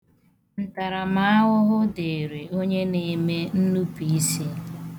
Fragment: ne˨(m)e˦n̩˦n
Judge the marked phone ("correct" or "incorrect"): correct